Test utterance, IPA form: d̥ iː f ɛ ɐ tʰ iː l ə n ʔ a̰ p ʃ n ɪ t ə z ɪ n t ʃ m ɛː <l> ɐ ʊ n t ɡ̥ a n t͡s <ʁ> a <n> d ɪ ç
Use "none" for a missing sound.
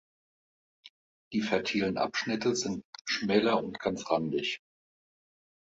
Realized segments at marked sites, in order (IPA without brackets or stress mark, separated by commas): l, ʁ, n